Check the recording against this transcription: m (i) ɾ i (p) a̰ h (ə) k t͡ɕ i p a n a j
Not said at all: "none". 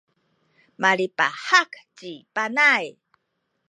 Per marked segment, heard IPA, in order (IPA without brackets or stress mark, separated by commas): a, p, a